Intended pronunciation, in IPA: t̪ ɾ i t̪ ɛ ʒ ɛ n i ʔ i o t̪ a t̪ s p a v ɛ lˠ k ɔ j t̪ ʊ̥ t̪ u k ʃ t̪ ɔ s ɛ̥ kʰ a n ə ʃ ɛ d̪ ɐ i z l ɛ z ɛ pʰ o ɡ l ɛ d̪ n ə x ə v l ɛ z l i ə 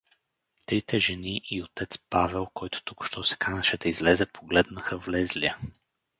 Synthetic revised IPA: t̪ ɾ i t̪ ɛ ʒ ɛ n i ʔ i o t̪ ɛ t̪ s p a v ɛ lˠ k ɔ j t̪ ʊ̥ t̪ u k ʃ t̪ ɔ s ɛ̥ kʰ a n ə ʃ ɛ d̪ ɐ i z l ɛ z ɛ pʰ o ɡ l ɛ d̪ n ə x ə v l ɛ z l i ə